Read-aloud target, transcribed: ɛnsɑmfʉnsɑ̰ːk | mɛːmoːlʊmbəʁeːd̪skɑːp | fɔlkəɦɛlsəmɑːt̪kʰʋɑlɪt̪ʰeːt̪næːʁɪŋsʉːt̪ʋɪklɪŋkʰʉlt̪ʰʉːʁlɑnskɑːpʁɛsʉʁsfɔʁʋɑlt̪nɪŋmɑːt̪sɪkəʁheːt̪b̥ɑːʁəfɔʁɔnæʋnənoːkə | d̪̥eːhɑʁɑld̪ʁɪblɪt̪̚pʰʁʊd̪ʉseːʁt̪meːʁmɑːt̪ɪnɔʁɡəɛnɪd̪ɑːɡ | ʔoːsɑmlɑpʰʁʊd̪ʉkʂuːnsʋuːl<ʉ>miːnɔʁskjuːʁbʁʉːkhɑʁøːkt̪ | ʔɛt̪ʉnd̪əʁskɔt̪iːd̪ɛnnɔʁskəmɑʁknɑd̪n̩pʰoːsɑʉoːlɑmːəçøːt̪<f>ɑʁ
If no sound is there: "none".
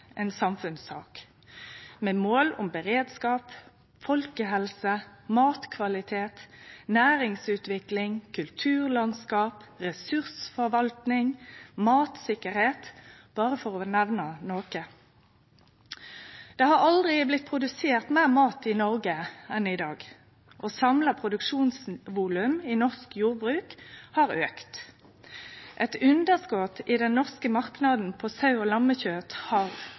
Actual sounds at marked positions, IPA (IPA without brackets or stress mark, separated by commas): ʉ, h